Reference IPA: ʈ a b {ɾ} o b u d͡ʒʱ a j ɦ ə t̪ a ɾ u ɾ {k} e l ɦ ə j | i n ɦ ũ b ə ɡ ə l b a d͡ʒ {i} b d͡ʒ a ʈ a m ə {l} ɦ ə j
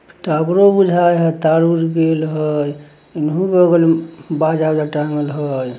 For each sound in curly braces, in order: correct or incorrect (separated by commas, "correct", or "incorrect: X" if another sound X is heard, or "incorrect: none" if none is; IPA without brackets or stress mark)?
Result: correct, incorrect: ɡ, incorrect: a, correct